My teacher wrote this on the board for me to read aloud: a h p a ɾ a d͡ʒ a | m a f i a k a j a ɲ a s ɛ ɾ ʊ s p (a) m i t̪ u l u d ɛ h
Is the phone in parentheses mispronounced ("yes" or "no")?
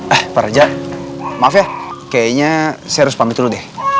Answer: no